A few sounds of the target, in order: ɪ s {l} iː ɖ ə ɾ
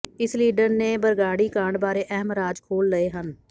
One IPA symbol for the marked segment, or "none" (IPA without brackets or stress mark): l